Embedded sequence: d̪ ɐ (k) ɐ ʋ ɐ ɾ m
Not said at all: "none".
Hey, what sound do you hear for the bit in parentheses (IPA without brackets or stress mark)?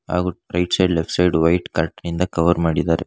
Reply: k